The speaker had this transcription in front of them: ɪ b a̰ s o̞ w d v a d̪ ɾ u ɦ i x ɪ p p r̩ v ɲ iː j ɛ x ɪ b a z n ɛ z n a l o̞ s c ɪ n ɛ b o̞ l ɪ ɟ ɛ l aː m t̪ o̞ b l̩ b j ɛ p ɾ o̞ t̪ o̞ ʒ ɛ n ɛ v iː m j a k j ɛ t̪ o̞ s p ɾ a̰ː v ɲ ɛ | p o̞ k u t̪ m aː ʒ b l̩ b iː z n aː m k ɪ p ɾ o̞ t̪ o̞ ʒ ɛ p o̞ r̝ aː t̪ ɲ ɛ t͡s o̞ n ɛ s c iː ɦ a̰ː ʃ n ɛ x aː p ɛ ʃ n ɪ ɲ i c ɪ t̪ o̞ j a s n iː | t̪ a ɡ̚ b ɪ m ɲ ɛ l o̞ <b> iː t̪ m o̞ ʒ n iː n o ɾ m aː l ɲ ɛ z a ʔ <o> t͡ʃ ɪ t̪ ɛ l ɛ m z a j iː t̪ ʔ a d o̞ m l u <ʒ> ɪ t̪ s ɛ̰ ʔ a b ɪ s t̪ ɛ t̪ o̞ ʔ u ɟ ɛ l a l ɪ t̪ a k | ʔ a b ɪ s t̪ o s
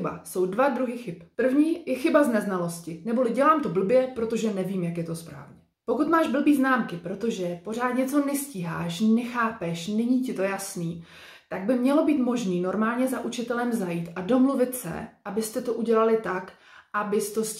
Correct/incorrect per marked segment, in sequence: correct, incorrect, incorrect

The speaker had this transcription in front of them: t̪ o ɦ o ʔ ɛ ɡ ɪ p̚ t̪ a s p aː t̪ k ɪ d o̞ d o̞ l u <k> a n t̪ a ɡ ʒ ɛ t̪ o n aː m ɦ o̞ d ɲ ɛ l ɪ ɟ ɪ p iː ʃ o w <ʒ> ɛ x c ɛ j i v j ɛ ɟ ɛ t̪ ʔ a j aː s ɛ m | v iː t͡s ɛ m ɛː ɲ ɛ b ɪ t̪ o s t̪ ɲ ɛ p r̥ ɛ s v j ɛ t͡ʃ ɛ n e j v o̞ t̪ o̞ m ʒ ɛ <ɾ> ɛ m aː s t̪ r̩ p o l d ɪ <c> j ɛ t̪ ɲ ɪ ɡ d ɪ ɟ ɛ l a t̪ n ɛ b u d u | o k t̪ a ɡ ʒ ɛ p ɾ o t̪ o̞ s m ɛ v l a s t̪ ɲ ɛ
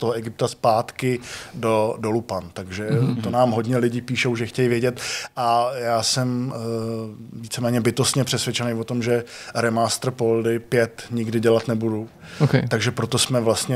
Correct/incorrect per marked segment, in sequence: incorrect, correct, correct, incorrect

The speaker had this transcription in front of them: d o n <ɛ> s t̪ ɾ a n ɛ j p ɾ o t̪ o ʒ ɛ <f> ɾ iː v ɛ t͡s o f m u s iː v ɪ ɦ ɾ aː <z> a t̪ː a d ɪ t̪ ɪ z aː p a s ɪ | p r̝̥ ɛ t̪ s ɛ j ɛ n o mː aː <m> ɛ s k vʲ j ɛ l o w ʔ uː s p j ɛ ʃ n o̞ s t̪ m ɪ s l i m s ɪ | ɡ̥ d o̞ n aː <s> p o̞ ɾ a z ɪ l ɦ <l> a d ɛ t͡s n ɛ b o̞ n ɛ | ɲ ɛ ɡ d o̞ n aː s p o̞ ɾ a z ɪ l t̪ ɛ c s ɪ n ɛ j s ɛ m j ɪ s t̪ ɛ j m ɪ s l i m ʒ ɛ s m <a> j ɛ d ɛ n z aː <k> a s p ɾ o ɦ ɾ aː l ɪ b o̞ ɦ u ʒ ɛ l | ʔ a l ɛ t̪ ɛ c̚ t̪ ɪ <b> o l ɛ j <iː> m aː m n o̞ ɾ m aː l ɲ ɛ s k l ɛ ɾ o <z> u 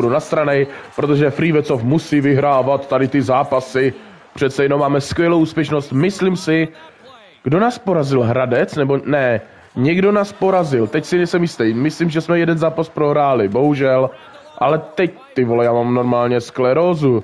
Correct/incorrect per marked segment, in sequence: incorrect, correct, incorrect, correct, correct, incorrect, incorrect, incorrect, incorrect, incorrect, correct

